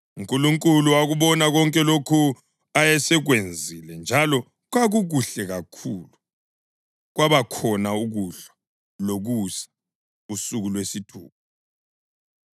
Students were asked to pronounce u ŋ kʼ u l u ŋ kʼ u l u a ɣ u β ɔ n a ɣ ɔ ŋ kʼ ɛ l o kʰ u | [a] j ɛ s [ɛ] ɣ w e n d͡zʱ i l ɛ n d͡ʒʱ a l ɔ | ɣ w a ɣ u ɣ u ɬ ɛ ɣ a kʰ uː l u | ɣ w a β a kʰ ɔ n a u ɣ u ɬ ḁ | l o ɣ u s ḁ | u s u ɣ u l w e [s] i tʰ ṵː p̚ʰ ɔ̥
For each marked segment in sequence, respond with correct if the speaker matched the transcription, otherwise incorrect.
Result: correct, correct, correct

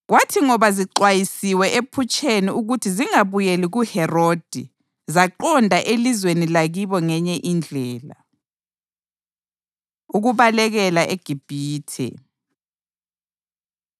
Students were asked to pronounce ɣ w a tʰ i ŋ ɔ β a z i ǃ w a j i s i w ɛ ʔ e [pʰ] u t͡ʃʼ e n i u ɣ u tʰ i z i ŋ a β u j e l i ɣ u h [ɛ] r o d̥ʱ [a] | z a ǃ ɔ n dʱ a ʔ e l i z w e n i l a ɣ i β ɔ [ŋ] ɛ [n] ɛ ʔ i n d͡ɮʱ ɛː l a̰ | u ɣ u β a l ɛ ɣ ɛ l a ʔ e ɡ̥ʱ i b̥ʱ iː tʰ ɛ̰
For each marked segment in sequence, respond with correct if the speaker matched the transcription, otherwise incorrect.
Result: correct, correct, incorrect, correct, incorrect

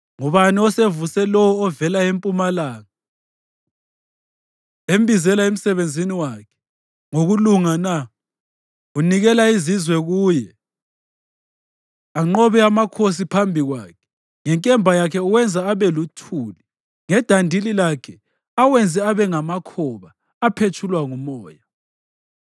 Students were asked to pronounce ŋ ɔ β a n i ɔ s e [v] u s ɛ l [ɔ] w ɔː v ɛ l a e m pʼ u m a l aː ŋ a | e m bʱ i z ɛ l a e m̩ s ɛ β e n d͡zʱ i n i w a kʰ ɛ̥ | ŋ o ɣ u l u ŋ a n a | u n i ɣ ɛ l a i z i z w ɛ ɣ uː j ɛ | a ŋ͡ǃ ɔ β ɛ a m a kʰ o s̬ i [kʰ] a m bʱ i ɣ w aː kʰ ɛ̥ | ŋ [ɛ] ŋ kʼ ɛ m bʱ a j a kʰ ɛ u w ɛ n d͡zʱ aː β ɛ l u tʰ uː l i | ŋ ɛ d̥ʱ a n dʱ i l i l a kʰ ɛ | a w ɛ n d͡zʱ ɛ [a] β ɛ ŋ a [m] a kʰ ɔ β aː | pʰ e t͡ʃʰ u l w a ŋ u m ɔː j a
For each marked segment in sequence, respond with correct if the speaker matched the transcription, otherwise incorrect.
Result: correct, correct, incorrect, correct, correct, correct

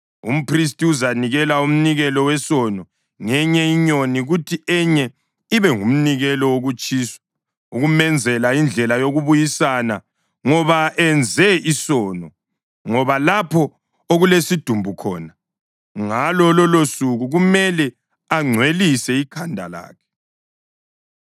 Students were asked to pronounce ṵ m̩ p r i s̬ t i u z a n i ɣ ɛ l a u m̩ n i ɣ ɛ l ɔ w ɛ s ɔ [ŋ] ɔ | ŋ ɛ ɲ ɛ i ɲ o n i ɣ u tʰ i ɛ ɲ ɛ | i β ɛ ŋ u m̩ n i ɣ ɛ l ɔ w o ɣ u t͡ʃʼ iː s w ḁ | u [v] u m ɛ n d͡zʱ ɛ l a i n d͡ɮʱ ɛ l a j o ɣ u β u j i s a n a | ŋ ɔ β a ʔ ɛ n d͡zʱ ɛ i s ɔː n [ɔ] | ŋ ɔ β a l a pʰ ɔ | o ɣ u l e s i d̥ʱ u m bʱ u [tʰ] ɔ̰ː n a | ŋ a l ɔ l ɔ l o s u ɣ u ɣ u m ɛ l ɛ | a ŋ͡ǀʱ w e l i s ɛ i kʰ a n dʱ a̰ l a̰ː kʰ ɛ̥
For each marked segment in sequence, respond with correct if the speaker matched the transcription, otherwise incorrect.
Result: incorrect, incorrect, correct, incorrect

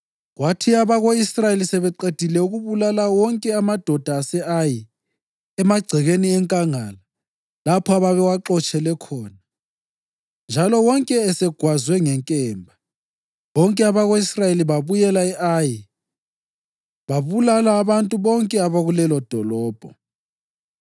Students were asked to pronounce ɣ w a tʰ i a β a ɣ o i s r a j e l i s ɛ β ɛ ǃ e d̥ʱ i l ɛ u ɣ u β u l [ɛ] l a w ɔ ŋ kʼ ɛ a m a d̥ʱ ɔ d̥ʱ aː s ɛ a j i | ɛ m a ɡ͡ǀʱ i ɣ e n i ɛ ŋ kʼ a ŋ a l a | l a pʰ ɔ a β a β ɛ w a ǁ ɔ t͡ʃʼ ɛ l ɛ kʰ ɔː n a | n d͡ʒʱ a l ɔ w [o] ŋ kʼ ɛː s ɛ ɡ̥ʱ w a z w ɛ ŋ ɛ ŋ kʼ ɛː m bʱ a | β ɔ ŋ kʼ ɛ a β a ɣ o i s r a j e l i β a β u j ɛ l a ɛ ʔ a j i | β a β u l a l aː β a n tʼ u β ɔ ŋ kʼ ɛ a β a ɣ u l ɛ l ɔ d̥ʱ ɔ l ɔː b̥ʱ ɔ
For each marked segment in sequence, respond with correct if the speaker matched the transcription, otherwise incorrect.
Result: incorrect, incorrect

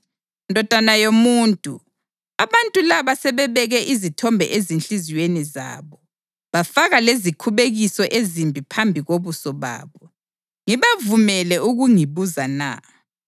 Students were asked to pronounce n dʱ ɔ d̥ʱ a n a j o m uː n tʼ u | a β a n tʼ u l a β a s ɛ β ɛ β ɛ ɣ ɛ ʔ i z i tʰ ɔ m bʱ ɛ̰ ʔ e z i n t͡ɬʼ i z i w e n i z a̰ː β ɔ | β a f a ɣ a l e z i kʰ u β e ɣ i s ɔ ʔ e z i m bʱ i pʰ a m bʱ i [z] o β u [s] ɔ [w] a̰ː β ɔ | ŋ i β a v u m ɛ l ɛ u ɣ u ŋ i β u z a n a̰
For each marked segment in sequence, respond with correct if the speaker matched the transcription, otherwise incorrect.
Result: incorrect, correct, incorrect

